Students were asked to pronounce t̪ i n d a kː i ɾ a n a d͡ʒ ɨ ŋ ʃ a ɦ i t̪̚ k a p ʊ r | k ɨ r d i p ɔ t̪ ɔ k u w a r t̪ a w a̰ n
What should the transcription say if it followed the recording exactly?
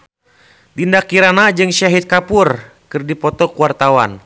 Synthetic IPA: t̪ i n d a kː i ɾ a n a d͡ʒ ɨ ŋ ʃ a ɦ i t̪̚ k a p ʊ r | k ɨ r d i p ɔ t̪ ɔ k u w a r t̪ a w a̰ n